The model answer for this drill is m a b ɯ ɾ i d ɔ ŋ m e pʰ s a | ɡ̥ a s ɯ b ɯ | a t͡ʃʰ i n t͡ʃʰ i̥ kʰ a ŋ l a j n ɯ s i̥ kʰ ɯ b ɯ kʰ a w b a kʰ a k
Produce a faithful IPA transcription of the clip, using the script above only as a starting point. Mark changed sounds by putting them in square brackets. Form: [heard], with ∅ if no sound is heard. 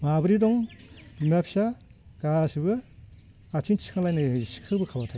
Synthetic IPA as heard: m a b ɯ ɾ i d ɔ ŋ m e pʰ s a | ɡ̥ a s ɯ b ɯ | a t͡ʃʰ i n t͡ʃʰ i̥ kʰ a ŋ l a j n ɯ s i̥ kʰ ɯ b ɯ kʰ a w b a [tʰ] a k